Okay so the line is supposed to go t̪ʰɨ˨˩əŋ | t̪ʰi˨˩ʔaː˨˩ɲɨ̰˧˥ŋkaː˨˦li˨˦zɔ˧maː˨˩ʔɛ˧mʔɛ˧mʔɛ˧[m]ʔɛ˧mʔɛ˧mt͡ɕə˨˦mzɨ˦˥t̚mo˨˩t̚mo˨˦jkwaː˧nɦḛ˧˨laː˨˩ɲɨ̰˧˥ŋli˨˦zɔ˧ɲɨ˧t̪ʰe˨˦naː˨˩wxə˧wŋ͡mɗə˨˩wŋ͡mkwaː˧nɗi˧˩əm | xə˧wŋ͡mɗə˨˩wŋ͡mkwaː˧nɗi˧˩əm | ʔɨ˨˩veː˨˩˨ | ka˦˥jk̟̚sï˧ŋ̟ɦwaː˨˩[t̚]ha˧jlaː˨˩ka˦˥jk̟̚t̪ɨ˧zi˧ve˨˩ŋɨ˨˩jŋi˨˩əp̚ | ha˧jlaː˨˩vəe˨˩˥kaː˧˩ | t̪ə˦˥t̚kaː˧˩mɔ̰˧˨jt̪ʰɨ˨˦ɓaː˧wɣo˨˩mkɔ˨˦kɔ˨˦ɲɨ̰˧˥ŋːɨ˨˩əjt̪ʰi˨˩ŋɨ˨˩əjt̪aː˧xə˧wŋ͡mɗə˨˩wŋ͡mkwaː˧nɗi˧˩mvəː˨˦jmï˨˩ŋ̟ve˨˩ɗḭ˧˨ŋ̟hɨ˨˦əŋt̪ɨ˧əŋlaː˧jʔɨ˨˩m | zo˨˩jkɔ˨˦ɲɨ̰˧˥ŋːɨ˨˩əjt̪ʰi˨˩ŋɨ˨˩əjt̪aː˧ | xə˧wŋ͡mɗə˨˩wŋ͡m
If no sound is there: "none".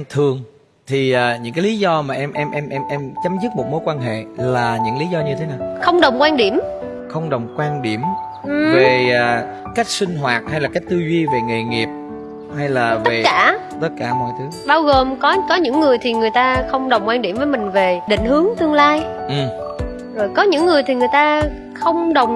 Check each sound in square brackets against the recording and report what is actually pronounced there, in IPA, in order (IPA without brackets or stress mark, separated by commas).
m, t̚